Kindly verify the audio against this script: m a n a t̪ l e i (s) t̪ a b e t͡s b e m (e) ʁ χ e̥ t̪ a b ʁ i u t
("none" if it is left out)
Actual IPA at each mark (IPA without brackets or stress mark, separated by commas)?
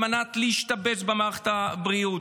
ʃ, a